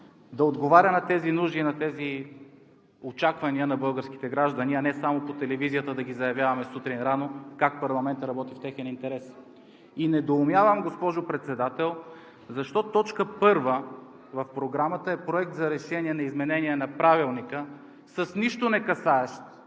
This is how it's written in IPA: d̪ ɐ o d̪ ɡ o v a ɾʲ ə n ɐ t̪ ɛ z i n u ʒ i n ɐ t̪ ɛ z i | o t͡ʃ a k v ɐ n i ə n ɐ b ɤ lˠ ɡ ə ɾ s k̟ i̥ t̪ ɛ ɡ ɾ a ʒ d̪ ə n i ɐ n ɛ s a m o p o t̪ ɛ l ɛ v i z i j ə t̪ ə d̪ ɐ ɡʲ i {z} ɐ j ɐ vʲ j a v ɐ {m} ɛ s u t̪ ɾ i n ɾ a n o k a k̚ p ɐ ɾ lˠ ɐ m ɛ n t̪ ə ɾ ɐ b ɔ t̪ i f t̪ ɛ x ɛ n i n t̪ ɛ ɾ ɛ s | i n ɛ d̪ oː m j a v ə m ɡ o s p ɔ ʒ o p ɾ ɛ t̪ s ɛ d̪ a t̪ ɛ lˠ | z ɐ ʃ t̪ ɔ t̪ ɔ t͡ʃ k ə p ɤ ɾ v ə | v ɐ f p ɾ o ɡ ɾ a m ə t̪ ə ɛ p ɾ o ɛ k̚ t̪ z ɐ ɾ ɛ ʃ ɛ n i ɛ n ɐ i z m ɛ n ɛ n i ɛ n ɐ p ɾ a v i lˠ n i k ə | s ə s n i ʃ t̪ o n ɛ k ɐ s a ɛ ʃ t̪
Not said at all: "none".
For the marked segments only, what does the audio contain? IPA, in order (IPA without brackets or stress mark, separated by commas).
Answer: z, m